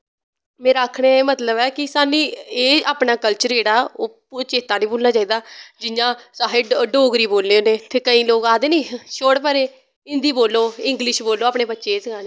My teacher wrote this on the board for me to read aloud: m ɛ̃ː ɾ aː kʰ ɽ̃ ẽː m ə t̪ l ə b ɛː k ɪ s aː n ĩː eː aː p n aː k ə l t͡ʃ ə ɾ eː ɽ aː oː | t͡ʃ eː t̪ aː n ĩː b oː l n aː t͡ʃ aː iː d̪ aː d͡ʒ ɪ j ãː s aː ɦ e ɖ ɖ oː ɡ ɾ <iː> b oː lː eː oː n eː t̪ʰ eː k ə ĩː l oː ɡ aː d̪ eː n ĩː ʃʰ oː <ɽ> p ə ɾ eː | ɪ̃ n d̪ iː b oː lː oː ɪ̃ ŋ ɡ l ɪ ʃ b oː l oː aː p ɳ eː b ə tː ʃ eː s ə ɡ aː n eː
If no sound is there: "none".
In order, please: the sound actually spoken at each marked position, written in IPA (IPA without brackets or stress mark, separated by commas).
iː, ɽ